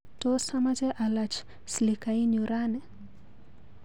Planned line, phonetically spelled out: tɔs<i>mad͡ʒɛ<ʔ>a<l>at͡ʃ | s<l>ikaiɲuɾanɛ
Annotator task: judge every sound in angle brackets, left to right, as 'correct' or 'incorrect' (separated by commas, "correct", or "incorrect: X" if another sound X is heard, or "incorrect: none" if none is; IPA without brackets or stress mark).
incorrect: a, correct, correct, correct